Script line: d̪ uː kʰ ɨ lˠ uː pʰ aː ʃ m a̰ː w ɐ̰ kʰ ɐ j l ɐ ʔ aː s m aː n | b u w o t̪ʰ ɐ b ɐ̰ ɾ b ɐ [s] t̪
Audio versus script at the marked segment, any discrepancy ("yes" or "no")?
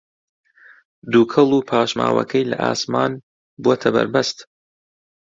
no